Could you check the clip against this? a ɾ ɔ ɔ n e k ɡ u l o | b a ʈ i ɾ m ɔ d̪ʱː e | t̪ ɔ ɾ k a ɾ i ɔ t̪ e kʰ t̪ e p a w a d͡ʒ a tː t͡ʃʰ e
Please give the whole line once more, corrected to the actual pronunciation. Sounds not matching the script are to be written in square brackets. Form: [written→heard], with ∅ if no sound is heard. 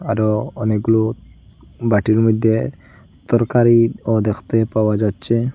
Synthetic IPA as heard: a ɾ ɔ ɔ n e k ɡ u l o | b a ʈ i ɾ m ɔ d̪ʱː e | t̪ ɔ ɾ k a ɾ i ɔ [t̪→d̪] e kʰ t̪ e p a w a d͡ʒ a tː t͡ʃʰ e